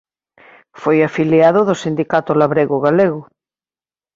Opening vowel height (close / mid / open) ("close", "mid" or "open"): mid